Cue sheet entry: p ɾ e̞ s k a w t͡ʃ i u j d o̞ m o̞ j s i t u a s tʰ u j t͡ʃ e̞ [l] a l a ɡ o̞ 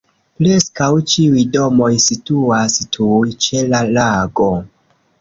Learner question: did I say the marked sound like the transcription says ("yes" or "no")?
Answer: yes